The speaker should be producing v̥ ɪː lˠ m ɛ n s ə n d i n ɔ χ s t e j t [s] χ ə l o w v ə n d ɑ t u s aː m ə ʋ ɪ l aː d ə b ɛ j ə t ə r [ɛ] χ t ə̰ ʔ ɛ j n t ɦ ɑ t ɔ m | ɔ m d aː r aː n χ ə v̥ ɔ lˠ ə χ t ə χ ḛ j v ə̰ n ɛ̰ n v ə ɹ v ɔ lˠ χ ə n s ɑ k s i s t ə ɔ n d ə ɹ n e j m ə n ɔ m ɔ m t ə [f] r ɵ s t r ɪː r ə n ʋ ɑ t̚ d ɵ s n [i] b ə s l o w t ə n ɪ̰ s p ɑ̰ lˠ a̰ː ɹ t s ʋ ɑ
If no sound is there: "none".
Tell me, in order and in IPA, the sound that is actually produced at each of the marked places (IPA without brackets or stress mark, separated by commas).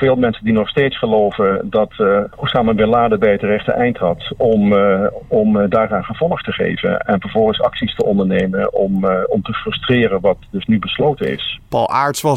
s, ɛ, f, y